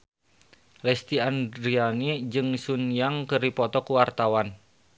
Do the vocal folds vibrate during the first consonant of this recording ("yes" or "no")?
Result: yes